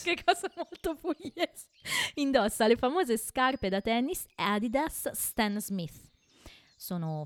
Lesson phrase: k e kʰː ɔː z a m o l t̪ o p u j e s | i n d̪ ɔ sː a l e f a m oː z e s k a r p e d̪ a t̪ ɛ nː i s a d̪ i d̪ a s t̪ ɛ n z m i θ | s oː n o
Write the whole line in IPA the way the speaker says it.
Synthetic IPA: k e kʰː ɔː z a m o l t̪ o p u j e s | i n d̪ ɔ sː a l e f a m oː z e s k a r p e d̪ a t̪ ɛ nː i s a d̪ i d̪ a s t̪ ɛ n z m i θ | s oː n o